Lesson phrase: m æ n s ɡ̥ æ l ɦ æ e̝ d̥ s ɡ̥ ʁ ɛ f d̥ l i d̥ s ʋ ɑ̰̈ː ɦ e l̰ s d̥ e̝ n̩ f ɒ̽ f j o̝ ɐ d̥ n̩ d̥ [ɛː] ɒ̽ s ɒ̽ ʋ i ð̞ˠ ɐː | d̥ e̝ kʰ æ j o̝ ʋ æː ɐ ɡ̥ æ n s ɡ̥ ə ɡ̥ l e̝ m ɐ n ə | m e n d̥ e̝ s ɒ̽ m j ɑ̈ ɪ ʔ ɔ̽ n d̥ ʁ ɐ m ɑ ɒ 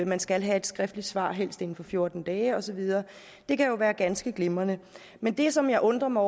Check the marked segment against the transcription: correct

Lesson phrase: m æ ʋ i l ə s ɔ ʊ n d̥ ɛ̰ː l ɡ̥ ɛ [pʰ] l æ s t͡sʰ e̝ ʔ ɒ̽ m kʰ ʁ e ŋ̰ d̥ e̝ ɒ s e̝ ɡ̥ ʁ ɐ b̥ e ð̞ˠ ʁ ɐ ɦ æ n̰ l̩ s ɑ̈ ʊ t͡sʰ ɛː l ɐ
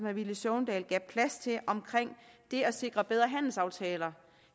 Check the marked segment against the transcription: correct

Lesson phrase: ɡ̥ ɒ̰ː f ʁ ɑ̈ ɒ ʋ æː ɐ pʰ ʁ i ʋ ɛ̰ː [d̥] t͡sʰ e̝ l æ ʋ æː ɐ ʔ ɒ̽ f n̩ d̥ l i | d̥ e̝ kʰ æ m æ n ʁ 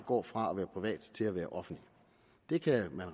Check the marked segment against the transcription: correct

